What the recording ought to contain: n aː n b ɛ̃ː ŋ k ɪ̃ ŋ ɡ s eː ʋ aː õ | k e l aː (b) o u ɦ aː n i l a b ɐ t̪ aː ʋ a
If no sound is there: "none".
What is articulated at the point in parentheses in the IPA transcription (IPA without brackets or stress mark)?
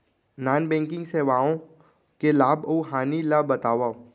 b